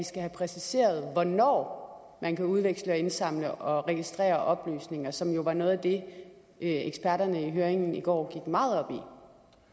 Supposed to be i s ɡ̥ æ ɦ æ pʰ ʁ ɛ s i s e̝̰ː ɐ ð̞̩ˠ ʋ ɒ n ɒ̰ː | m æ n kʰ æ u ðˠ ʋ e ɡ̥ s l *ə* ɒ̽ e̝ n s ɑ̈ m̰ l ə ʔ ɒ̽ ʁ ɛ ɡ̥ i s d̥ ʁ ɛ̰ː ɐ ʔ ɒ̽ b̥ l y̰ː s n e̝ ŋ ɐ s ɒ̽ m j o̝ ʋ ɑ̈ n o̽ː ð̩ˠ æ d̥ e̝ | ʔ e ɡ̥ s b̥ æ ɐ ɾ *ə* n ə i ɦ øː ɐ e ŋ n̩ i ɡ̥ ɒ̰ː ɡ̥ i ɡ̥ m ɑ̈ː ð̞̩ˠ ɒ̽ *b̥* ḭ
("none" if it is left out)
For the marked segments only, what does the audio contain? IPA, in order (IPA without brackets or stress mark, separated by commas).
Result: ə, ɐ, b̥